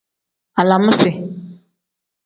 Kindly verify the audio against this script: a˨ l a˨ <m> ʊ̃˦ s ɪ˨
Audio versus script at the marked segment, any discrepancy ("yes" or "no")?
no